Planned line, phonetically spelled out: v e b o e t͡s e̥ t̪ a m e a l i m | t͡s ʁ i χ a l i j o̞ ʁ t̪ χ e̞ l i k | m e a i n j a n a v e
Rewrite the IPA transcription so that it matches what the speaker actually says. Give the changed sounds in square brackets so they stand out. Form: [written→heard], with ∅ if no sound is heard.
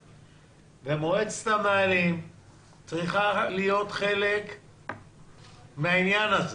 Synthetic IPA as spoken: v e [b→m] o e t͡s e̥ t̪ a m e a l i m | t͡s ʁ i χ a l i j o̞ [ʁ→∅] t̪ χ e̞ l [i→e] k | m e a i n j a n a [v→z] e